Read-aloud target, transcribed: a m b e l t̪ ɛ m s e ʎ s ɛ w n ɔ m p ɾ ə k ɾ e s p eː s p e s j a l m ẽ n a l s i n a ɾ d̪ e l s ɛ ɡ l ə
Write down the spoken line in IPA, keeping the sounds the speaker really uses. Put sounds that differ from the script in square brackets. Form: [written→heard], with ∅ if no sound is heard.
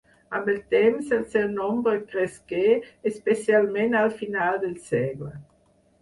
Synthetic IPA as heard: a m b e l t̪ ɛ m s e [ʎ→l] s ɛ w n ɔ m [p→b] ɾ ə k ɾ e s [p→k] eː s p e s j a l m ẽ n a l [s→f] i n a [ɾ→l] d̪ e l s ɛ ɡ l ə